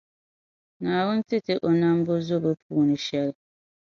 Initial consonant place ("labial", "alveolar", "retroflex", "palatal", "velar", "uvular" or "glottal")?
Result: alveolar